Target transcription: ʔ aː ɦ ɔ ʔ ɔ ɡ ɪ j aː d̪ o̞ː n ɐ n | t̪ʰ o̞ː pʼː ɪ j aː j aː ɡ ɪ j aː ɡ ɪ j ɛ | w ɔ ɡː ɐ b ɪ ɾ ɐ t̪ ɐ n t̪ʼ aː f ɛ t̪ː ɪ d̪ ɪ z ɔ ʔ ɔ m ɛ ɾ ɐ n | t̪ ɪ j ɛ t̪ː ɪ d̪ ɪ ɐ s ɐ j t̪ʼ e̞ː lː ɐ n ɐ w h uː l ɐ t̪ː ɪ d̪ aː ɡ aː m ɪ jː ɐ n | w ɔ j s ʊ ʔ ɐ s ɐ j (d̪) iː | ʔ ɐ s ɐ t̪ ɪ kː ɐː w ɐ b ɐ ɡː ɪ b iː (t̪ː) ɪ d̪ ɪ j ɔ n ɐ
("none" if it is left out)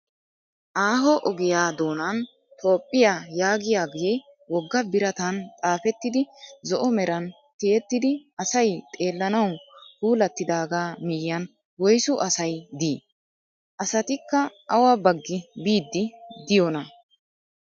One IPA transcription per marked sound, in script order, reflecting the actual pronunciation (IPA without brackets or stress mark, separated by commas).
d̪, d̪ː